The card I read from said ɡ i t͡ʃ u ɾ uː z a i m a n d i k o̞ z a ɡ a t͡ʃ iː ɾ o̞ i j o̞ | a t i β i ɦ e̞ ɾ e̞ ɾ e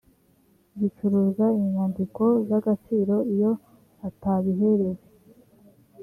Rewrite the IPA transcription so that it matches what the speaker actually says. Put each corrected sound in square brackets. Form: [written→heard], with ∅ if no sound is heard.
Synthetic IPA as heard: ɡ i t͡ʃ u ɾ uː z a i [m→ɲ] a n d i k o̞ z a ɡ a t͡ʃ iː ɾ o̞ i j o̞ | a t [i→a] β i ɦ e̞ ɾ e̞ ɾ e